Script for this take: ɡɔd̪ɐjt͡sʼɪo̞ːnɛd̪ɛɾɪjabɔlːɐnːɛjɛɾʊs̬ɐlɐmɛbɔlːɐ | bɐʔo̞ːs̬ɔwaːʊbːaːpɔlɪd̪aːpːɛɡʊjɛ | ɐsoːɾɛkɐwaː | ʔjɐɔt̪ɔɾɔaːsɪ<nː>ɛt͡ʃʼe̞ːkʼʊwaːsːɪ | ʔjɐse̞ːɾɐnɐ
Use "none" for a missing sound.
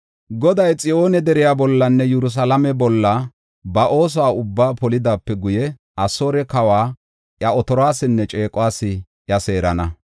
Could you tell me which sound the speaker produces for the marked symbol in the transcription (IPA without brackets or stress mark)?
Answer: nː